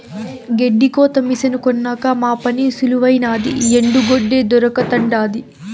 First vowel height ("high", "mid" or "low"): mid